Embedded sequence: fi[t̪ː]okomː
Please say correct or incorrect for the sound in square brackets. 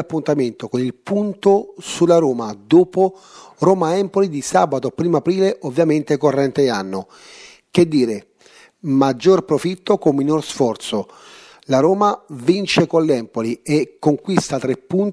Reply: correct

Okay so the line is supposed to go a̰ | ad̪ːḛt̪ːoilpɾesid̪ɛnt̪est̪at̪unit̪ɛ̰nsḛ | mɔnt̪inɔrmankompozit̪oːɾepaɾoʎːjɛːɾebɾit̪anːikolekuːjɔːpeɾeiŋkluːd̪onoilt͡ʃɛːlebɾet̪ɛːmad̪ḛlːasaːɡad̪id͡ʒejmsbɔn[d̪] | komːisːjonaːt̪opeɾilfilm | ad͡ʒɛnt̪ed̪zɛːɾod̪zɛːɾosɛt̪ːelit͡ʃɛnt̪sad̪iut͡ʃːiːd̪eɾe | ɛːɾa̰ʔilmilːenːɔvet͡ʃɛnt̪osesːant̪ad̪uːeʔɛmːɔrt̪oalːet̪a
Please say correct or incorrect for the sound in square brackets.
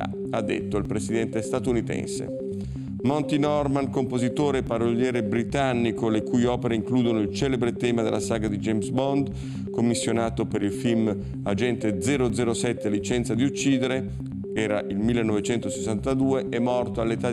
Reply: correct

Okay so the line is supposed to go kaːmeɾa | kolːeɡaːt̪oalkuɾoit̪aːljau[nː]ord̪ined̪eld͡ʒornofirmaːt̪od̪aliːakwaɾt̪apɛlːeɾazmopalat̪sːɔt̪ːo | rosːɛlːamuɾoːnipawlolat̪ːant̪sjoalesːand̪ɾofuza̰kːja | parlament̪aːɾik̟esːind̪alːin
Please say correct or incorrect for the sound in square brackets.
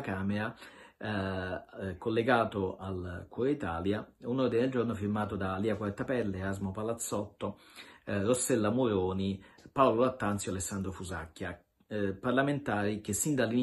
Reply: incorrect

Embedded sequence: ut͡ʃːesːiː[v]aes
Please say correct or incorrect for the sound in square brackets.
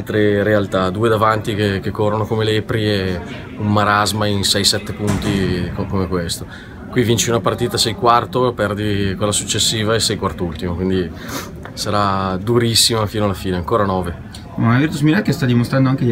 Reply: correct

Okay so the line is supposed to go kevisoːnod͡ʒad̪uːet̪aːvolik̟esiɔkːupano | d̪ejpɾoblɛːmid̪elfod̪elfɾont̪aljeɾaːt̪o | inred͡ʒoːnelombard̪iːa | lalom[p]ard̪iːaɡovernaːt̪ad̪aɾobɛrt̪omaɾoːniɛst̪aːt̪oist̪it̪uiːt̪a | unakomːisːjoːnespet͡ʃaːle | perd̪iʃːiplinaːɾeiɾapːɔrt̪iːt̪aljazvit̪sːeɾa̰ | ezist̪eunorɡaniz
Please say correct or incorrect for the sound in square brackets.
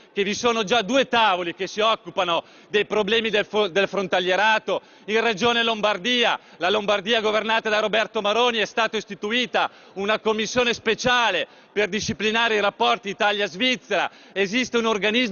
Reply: incorrect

